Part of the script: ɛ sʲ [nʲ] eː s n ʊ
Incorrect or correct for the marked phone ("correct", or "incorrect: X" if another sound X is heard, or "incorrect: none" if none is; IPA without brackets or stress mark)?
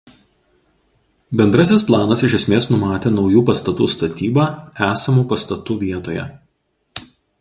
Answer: incorrect: mʲ